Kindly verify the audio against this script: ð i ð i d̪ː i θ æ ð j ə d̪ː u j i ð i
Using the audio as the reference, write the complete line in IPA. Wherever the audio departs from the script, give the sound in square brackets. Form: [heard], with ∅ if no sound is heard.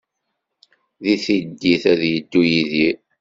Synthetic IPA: ð i [θ] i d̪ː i θ æ ð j ə d̪ː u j i ð i